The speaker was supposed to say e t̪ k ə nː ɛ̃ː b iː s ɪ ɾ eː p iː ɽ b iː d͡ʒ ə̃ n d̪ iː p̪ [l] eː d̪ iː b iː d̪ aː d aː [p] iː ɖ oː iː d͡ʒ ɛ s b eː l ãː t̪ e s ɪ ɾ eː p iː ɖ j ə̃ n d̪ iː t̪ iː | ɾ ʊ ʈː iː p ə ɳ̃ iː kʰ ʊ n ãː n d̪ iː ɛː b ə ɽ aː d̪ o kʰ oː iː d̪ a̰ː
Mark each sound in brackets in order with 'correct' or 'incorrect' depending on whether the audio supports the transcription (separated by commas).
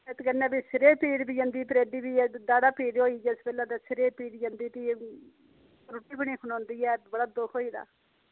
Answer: incorrect, correct